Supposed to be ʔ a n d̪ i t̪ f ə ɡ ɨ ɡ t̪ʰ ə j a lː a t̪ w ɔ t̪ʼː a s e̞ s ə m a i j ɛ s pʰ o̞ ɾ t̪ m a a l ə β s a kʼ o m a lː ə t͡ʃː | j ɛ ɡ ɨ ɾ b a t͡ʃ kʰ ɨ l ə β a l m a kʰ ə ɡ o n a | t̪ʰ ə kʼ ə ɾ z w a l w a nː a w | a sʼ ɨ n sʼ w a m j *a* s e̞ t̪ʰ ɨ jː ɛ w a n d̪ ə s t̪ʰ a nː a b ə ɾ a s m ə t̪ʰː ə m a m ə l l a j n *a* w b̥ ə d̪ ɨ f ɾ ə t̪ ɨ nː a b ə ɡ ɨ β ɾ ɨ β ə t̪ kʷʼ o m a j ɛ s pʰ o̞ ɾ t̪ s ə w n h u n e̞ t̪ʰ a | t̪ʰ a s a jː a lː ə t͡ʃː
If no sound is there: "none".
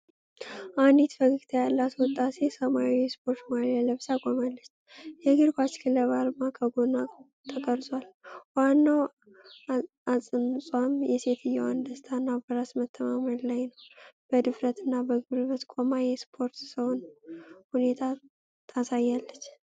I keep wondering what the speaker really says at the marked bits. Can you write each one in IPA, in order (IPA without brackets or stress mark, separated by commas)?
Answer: ɛ, ə